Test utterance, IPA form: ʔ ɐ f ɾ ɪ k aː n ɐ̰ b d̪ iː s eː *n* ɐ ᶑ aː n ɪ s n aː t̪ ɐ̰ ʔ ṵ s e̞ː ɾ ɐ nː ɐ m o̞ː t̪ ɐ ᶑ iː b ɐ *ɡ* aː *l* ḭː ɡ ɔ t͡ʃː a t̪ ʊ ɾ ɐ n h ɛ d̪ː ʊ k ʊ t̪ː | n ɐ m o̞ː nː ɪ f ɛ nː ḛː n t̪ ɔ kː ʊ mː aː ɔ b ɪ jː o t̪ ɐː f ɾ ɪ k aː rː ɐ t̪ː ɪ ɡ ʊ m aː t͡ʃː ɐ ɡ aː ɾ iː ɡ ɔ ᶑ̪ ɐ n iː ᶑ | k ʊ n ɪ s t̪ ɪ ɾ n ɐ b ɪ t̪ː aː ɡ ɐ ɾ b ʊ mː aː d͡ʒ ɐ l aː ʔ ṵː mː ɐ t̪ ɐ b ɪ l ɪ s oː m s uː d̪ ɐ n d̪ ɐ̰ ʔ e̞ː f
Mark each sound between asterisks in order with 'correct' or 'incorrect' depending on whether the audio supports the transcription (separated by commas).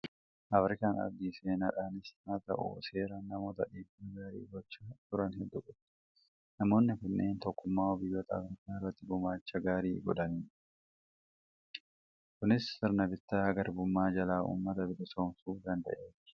correct, correct, incorrect